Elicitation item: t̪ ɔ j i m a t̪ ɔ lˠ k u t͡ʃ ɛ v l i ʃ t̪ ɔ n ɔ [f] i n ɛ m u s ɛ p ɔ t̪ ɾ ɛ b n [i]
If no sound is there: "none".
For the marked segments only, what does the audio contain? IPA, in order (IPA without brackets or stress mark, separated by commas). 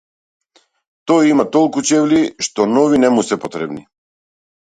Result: v, i